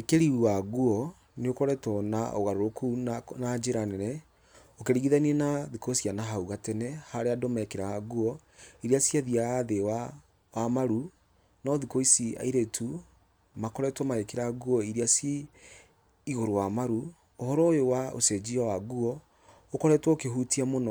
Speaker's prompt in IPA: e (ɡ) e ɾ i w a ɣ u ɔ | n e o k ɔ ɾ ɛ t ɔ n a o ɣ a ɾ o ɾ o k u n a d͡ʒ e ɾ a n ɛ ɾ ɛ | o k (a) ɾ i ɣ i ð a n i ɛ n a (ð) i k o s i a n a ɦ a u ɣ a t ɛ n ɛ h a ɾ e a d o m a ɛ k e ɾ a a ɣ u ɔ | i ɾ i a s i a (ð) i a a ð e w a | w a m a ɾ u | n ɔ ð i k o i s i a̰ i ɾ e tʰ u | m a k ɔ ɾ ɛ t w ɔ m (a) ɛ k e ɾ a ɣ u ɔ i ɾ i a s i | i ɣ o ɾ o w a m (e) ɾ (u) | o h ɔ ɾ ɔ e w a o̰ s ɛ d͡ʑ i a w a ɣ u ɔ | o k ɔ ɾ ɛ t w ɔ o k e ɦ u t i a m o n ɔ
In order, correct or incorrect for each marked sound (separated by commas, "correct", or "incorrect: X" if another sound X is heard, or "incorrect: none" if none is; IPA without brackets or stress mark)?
incorrect: k, incorrect: e, correct, correct, correct, incorrect: a, correct